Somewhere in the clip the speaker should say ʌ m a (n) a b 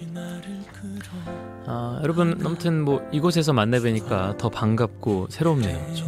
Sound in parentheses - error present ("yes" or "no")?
yes